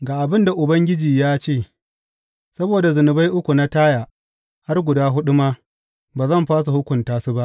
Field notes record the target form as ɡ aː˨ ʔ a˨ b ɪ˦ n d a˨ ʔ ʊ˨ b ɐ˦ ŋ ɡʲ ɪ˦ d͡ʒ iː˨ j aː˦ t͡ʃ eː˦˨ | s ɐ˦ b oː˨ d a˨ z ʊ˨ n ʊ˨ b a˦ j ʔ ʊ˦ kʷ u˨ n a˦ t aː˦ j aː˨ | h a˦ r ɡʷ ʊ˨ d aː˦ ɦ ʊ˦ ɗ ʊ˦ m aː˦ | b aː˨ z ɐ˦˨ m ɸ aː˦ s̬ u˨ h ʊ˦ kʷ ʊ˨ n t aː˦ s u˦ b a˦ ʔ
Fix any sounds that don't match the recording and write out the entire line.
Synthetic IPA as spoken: ɡ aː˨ ʔ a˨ b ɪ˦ n d a˨ ʔ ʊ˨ b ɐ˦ ŋ ɡʲ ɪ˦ d͡ʒ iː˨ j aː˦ t͡ʃ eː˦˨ | s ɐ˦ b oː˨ d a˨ z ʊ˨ n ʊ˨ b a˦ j ʔ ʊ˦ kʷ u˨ n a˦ t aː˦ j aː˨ | h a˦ r ɡʷ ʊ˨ d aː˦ ɦ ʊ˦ ɗ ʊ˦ m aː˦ | b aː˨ z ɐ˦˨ m ɸ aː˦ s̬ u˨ h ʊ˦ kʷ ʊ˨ n t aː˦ s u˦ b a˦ ʔ